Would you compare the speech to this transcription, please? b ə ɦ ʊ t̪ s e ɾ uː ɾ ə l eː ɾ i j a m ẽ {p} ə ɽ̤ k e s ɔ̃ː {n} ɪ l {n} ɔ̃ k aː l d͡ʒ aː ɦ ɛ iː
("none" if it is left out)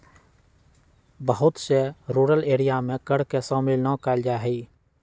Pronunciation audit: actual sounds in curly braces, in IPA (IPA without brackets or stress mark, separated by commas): k, m, n